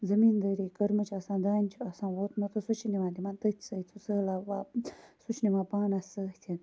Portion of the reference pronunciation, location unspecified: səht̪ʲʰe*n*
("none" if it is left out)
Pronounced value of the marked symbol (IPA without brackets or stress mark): n